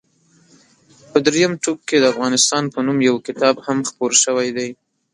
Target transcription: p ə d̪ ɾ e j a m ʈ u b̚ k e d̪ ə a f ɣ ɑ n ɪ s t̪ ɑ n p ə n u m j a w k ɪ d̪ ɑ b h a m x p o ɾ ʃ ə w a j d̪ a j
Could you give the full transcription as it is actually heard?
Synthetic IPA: p ə d̪ ɾ e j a m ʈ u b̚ k e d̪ ə a f ɣ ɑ n ɪ s t̪ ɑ n p ə n u m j a w k ɪ t̪ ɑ b h a m x p o ɾ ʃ ə w a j d̪ a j